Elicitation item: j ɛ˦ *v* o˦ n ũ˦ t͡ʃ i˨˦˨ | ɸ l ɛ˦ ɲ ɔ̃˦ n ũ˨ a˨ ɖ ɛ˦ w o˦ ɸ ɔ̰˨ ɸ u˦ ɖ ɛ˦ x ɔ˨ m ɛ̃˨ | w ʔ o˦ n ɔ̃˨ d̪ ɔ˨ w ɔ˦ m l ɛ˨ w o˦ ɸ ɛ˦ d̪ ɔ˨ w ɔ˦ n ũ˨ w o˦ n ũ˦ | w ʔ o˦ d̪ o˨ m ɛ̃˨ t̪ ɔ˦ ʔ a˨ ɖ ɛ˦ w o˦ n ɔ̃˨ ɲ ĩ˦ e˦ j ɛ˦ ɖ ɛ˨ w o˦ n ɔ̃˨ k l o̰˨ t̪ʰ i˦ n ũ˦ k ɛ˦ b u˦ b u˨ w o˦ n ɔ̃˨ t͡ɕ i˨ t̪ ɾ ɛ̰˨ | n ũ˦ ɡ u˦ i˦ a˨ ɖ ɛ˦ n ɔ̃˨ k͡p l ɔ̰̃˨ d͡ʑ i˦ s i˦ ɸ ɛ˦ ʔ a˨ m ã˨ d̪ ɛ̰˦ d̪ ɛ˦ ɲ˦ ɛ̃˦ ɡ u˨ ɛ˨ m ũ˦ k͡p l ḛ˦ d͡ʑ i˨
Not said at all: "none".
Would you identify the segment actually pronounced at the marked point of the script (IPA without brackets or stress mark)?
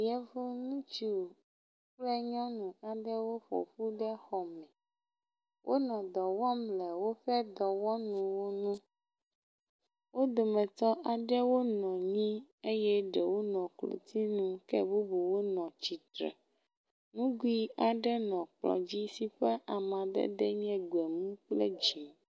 v